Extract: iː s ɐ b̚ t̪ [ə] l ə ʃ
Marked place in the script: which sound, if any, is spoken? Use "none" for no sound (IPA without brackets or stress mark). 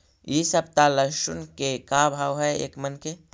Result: a